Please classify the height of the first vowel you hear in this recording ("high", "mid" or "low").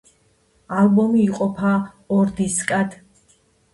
low